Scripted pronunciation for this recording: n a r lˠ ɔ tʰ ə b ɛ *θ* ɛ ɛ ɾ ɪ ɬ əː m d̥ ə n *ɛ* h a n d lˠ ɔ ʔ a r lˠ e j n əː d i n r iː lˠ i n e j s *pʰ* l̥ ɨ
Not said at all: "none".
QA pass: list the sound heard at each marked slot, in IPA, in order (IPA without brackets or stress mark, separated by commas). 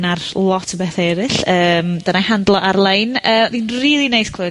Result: θ, a, kʰ